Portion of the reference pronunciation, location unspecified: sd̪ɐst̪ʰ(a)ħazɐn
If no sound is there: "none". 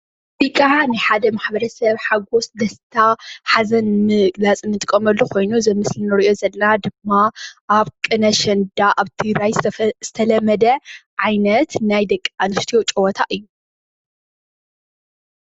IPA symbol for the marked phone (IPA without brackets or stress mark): a